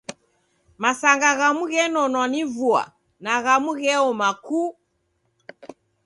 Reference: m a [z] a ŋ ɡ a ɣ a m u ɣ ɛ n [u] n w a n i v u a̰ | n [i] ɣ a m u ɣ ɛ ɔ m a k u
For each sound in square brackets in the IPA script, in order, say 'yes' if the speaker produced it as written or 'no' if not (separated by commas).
no, no, no